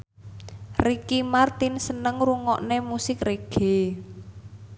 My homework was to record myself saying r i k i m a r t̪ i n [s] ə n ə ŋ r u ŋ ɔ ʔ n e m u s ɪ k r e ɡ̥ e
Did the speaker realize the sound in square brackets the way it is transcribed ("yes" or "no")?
yes